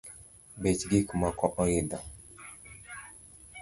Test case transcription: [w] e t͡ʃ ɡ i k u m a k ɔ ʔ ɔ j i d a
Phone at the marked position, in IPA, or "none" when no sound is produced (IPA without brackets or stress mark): b